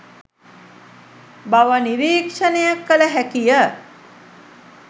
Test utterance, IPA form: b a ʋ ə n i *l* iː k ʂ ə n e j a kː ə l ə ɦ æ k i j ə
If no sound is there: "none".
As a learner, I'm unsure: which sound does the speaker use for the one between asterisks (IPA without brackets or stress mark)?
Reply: ɾ